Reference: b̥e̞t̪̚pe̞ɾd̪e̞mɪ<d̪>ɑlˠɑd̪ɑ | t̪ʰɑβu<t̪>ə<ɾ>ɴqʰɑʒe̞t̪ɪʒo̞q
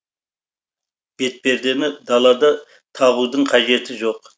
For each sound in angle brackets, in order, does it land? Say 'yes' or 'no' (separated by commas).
yes, no, no